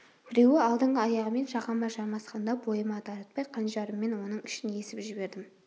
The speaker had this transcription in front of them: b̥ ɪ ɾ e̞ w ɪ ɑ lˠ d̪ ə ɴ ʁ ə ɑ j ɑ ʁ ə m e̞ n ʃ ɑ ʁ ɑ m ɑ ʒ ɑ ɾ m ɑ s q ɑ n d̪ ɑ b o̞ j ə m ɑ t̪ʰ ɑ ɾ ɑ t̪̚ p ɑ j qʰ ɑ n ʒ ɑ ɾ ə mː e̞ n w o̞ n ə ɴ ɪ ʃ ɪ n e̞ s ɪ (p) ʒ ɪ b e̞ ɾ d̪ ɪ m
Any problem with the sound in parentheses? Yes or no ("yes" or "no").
no